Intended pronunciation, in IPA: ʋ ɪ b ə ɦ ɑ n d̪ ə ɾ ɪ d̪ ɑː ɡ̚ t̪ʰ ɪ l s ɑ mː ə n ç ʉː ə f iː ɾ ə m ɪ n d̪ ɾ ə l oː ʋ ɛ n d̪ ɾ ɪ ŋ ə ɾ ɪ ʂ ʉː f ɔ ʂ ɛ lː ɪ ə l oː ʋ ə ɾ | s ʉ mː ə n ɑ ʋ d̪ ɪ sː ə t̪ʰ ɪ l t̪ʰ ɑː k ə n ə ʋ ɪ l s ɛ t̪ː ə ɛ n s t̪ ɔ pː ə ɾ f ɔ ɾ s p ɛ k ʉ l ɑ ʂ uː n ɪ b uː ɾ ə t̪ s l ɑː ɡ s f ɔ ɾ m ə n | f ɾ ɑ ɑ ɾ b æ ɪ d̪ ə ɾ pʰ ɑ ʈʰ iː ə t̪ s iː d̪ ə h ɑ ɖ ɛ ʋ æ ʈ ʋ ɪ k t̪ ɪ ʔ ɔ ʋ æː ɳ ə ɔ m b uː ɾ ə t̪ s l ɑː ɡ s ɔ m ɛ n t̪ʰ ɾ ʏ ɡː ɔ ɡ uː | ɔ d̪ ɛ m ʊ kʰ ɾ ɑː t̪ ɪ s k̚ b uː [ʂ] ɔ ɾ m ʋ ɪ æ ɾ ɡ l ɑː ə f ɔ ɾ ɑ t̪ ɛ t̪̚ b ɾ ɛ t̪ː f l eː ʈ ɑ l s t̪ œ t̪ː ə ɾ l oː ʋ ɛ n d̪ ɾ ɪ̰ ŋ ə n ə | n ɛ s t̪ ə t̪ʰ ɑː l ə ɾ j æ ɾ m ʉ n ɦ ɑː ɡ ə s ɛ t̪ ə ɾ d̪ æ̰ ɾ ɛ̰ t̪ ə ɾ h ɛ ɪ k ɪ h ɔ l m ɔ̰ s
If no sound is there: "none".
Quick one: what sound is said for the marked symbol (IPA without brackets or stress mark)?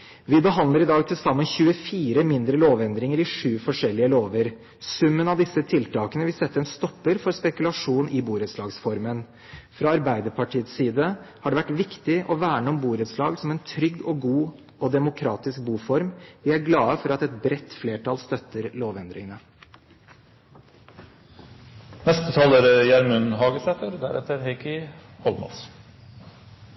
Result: f